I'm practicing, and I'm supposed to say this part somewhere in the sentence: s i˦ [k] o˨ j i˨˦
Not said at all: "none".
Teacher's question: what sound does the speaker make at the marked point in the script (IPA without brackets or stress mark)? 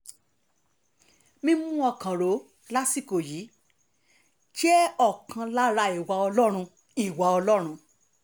k